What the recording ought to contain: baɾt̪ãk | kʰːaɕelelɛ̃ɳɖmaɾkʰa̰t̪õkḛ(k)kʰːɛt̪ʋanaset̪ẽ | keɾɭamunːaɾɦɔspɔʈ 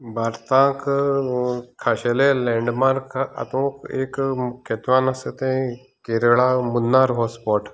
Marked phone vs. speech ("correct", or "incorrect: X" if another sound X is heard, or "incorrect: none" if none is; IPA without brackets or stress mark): correct